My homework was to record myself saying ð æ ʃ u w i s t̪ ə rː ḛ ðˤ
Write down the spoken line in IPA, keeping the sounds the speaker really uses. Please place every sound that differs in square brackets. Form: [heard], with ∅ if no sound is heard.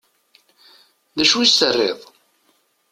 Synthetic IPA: ð æ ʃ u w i s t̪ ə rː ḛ ðˤ